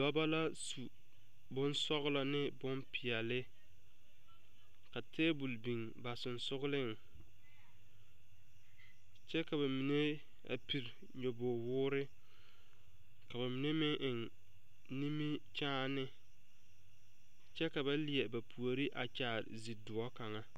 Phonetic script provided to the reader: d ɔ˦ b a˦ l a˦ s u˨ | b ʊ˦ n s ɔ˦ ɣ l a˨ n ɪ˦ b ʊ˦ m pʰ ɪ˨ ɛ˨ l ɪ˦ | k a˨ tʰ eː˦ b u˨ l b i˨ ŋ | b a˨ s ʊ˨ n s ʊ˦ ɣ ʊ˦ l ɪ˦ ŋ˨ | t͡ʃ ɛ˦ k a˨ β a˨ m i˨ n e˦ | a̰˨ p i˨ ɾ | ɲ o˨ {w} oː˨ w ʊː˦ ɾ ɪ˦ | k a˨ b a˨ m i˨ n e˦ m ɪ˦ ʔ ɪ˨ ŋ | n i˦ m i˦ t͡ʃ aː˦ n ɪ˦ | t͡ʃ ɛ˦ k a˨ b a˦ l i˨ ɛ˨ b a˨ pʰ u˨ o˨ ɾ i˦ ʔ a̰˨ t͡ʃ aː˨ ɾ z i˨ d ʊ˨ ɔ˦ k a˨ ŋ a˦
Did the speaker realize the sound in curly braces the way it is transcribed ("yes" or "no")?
no